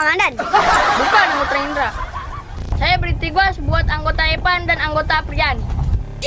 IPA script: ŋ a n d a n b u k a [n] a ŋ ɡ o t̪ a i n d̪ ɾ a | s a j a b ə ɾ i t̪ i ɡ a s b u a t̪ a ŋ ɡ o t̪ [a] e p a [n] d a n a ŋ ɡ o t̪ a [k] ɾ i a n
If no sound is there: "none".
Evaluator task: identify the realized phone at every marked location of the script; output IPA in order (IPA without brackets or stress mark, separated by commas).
n, a, n, p